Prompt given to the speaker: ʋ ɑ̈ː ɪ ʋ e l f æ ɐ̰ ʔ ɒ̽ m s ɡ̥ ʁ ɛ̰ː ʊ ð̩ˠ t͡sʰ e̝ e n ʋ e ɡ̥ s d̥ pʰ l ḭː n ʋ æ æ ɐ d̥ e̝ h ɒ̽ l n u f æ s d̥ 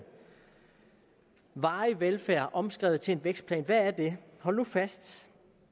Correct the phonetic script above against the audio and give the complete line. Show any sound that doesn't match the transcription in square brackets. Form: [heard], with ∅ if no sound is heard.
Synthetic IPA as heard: ʋ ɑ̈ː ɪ ʋ e l f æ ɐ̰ ʔ ɒ̽ m s ɡ̥ ʁ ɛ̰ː ʊ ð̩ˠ t͡sʰ e̝ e n ʋ e ɡ̥ s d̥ pʰ l [ɛ̰ː] n ʋ æ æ ɐ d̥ e̝ h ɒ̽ l n u f æ s d̥